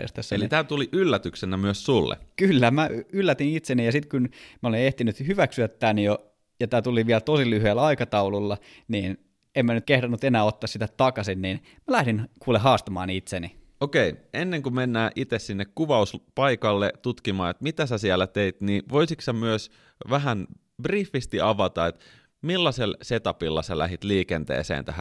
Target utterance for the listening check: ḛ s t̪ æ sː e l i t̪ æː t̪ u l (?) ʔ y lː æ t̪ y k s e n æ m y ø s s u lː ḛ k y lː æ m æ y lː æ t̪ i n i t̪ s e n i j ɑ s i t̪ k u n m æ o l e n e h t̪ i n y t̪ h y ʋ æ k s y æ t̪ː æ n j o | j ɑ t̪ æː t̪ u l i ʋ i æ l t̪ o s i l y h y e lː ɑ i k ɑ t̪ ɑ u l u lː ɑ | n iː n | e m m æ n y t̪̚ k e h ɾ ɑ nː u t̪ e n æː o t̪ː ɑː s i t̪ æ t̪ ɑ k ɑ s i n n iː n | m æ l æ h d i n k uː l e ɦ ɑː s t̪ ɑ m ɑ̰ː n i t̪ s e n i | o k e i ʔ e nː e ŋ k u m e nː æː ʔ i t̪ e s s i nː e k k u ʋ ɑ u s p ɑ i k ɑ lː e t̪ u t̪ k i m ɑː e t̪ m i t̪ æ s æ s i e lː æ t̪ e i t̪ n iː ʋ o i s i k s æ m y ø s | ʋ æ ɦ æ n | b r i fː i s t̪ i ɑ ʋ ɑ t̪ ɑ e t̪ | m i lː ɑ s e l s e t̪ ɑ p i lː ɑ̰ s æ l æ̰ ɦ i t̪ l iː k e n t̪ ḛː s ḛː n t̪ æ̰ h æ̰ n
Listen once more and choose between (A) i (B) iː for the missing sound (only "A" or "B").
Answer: A